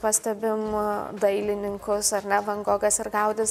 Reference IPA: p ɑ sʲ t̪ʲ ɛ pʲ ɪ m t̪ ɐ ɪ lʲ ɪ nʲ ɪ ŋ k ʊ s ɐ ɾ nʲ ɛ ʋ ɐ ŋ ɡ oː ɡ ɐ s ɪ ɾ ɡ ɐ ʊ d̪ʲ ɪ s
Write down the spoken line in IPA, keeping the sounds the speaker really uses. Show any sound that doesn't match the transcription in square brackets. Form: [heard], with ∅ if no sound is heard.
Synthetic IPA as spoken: p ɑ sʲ t̪ʲ ɛ [bʲ] ɪ m [d̪] ɐ ɪ lʲ ɪ nʲ ɪ ŋ k ʊ s ɐ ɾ nʲ ɛ ʋ ɐ ŋ ɡ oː ɡ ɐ s ɪ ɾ ɡ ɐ ʊ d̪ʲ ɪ s

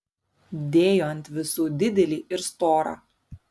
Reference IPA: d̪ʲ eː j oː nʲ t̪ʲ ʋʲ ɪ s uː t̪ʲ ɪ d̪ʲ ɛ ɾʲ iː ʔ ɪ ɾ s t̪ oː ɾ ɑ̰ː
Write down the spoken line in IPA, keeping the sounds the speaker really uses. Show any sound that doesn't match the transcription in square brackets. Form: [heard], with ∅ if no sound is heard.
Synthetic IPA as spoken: d̪ʲ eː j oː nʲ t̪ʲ ʋʲ ɪ s uː [d̪ʲ] ɪ d̪ʲ ɛ [lʲ] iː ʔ ɪ ɾ s t̪ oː ɾ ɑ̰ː

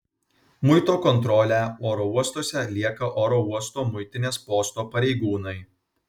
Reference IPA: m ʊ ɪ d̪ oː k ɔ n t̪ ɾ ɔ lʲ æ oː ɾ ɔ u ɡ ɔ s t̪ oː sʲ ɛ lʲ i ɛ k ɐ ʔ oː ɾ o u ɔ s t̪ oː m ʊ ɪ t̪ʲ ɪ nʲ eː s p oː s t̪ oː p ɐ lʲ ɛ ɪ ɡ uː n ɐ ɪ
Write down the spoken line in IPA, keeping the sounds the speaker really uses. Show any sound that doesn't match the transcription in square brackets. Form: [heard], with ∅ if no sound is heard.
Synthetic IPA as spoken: m ʊ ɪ [t̪] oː k ɔ n t̪ ɾ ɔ lʲ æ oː ɾ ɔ u [∅] ɔ s t̪ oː sʲ ɛ lʲ i ɛ k ɐ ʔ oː ɾ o u ɔ s t̪ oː m ʊ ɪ t̪ʲ ɪ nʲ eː s p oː s t̪ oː p ɐ [ɾʲ] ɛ ɪ ɡ uː n ɐ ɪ

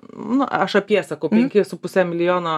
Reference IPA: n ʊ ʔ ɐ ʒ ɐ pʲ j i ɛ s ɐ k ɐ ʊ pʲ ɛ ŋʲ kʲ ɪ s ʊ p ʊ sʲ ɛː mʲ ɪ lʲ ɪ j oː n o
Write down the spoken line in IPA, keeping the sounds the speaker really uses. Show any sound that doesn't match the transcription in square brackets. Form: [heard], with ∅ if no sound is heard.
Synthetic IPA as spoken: n ʊ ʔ ɐ [ʃ] ɐ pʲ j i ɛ s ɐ k ɐ ʊ pʲ ɛ ŋʲ kʲ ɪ s ʊ p ʊ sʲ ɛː mʲ ɪ lʲ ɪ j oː n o

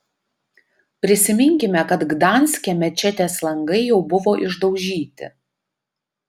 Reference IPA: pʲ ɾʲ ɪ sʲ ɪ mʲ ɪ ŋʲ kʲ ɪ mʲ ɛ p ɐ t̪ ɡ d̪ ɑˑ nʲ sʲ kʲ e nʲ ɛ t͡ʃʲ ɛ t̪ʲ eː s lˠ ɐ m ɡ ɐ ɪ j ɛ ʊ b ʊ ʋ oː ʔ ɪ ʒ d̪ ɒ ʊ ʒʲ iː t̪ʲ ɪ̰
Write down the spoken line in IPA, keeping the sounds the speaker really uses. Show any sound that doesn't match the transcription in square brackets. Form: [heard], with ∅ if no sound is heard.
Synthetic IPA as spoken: pʲ ɾʲ ɪ sʲ ɪ mʲ ɪ ŋʲ kʲ ɪ mʲ ɛ [k] ɐ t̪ ɡ d̪ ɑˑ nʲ sʲ kʲ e [mʲ] ɛ t͡ʃʲ ɛ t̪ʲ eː s lˠ ɐ [ŋ] ɡ ɐ ɪ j ɛ ʊ b ʊ ʋ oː ʔ ɪ ʒ d̪ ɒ ʊ ʒʲ iː t̪ʲ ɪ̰

